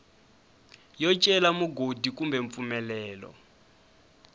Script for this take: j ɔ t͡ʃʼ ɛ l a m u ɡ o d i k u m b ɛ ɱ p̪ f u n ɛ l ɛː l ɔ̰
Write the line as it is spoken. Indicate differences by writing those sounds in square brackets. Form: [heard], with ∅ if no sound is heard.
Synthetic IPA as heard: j ɔ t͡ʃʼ ɛ l a m u ɡ o d i k u m b ɛ ɱ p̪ f u [m] ɛ l ɛː l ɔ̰